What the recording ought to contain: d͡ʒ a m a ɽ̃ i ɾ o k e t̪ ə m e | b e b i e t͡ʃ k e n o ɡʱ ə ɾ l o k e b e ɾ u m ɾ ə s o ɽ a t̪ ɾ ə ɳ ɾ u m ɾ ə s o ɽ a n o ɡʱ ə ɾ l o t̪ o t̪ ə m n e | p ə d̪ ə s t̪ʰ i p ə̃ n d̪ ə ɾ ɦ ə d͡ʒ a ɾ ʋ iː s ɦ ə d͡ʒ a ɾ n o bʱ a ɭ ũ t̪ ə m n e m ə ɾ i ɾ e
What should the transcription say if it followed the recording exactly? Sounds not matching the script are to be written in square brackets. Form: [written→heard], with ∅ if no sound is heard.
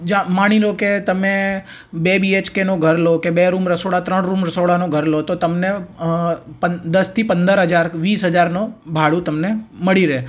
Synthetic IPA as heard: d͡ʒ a m a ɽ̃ i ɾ o k e t̪ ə m e | b e b i e t͡ʃ k e n o ɡʱ ə ɾ l o k e b e ɾ u m ɾ ə s o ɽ a t̪ ɾ ə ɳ ɾ u m ɾ ə s o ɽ a n o ɡʱ ə ɾ l o t̪ o t̪ ə m n e | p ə d̪ ə s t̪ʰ i p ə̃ n d̪ ə ɾ ɦ ə d͡ʒ a ɾ ʋ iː s ɦ ə d͡ʒ a ɾ n o bʱ a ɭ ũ t̪ ə m n e m ə [ɾ→ɭ] i ɾ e